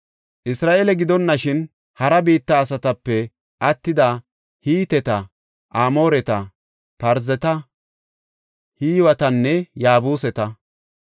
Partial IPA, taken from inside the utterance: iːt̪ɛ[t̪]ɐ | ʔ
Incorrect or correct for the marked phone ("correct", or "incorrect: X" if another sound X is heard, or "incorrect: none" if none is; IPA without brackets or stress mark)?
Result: correct